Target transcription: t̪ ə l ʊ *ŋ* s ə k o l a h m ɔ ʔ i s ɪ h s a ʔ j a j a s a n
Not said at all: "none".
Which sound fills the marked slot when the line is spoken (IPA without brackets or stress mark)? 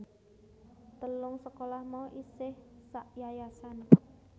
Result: ŋ